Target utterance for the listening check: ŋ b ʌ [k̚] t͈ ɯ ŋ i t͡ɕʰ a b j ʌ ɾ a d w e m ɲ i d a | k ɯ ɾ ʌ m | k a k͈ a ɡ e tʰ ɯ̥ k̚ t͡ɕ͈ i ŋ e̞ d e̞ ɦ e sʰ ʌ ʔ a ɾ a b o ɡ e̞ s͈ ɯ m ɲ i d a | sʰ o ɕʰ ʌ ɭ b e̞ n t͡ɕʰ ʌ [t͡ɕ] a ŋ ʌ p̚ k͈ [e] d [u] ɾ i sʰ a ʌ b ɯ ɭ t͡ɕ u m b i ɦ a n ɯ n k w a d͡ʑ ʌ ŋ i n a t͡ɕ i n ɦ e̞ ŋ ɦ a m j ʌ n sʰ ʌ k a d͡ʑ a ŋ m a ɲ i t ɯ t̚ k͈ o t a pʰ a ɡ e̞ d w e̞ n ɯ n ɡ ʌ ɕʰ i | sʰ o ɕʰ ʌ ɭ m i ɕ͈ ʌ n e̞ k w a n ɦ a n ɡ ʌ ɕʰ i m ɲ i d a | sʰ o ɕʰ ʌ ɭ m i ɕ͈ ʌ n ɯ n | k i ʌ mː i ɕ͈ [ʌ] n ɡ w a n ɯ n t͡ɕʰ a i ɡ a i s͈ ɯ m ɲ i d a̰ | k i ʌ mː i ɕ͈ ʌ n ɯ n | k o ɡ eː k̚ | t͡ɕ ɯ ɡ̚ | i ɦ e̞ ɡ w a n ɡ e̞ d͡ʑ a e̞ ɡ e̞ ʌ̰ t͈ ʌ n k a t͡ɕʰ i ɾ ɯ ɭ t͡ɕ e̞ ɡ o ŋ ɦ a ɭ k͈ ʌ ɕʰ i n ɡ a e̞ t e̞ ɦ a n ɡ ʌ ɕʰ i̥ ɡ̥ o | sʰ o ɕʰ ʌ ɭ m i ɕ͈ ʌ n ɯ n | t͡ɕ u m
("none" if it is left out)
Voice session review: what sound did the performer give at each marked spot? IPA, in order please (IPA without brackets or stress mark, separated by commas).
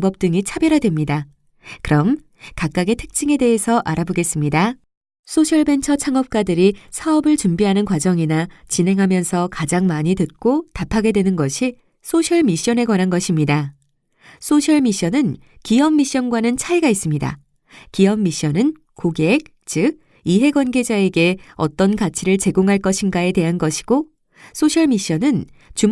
p̚, t͡ɕʰ, a, ɯ, ʌ